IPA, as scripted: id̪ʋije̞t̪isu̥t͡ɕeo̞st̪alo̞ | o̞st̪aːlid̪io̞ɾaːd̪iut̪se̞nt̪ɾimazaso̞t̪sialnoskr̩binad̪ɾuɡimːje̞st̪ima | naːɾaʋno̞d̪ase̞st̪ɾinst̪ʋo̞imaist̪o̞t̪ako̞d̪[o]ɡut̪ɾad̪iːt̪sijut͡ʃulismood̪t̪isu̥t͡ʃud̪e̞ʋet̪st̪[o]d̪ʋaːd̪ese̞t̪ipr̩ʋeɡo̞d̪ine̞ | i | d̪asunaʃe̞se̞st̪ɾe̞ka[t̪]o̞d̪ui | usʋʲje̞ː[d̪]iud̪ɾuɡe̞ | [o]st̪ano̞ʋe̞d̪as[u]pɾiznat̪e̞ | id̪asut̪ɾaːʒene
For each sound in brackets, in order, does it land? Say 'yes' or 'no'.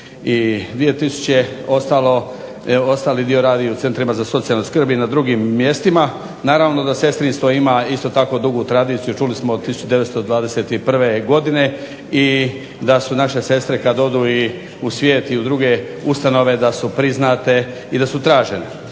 no, yes, no, no, no, yes

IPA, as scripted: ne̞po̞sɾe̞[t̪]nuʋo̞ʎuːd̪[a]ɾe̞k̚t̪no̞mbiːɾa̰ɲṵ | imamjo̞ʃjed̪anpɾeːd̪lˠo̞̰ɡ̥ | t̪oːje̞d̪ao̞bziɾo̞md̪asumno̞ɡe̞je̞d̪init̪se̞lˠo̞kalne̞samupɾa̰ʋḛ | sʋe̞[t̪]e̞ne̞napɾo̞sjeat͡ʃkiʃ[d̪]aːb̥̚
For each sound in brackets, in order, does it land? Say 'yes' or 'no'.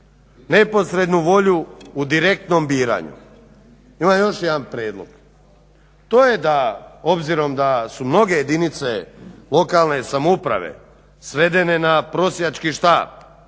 no, no, no, no

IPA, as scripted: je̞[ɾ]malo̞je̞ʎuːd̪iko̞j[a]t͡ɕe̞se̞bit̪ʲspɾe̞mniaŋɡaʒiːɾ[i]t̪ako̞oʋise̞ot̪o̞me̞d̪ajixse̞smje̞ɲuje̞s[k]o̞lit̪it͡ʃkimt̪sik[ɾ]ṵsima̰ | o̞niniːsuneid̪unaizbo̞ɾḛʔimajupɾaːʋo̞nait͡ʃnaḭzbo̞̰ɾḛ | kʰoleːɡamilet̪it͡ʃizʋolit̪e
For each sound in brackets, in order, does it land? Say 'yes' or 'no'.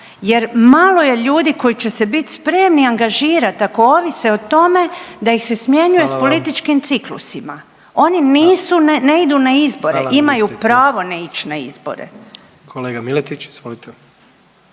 yes, no, no, no, no

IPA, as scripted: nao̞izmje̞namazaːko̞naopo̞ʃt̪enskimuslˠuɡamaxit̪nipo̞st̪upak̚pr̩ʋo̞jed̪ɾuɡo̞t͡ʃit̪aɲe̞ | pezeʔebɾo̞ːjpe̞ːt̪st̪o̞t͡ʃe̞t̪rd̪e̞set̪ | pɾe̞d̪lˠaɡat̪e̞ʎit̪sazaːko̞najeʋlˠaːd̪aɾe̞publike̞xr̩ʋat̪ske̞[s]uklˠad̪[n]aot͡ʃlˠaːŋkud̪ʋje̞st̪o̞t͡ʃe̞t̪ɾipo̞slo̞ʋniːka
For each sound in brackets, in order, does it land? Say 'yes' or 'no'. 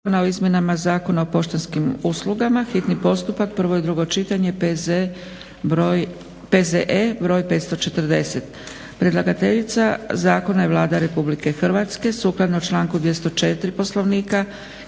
yes, yes

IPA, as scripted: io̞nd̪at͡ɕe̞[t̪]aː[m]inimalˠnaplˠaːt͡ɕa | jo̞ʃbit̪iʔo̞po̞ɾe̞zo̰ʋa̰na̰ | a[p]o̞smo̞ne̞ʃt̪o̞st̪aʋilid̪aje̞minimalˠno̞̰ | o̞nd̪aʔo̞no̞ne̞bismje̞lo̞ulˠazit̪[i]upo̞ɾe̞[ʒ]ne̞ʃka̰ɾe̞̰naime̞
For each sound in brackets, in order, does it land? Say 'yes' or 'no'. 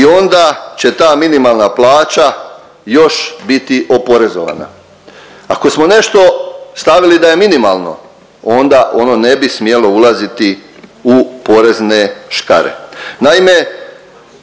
yes, yes, no, yes, no

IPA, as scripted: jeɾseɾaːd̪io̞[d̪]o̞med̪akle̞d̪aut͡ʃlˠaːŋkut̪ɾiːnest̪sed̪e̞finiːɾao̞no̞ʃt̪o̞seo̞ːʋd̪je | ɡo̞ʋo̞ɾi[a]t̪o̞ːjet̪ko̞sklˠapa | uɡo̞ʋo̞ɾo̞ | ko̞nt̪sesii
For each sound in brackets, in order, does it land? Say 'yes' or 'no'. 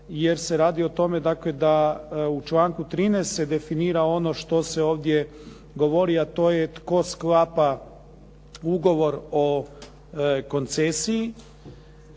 no, yes

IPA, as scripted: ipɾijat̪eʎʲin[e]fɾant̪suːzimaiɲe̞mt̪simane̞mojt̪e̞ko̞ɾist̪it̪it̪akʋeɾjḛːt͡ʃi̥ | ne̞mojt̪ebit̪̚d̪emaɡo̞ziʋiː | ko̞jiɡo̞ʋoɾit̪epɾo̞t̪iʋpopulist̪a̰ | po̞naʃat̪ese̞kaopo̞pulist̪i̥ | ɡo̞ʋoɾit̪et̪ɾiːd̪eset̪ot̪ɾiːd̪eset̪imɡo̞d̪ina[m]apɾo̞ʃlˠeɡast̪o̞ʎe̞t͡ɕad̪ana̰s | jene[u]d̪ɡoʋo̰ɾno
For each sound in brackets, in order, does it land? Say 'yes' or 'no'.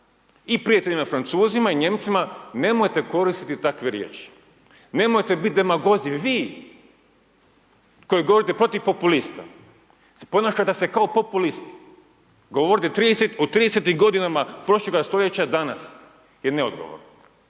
no, yes, no

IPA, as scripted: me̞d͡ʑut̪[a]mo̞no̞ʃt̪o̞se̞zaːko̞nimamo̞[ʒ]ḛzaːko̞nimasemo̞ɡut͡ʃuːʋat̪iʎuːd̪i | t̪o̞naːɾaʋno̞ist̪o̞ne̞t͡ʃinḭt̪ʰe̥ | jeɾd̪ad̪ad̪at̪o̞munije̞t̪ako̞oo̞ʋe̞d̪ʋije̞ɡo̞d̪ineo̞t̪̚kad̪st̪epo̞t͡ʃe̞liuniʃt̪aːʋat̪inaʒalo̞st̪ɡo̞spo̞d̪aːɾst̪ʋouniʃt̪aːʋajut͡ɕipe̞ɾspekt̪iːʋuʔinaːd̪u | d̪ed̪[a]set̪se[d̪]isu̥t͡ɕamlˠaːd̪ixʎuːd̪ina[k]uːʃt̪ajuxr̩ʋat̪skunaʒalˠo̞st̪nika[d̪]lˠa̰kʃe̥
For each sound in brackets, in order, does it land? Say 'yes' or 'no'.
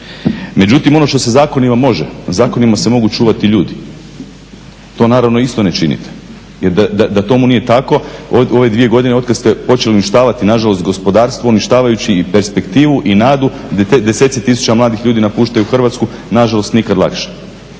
no, yes, no, no, no, yes

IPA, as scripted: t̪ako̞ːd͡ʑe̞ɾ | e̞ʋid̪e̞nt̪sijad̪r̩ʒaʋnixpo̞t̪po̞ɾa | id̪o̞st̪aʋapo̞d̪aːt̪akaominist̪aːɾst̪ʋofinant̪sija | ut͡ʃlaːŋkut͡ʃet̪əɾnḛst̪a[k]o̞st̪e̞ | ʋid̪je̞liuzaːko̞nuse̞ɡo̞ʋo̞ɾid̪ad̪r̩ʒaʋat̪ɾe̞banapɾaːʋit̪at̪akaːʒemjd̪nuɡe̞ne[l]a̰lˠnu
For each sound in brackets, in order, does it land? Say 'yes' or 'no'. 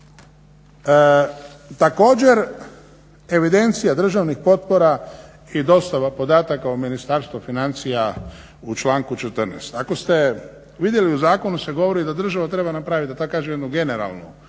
yes, no

